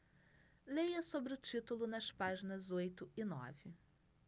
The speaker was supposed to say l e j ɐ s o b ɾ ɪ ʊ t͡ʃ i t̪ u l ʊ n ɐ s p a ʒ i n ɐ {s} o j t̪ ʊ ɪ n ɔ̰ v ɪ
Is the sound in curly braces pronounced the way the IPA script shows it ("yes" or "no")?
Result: no